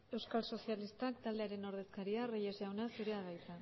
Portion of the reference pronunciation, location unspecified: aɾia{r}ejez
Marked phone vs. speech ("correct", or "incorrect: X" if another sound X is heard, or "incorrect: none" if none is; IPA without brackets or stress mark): correct